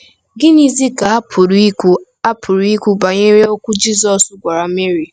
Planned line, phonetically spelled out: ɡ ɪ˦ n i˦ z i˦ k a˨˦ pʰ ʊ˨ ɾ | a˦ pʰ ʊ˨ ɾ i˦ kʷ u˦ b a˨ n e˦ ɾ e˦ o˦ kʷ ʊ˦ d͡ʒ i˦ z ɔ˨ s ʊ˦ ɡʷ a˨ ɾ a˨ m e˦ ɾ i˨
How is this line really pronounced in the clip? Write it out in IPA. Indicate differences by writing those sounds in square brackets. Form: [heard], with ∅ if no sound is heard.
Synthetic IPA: ɡ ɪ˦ n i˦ z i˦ k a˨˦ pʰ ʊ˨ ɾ | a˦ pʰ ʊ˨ ɾ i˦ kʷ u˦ b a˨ [ɲ] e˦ ɾ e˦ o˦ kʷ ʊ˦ d͡ʒ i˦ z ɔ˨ s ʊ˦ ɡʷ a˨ ɾ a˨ m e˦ ɾ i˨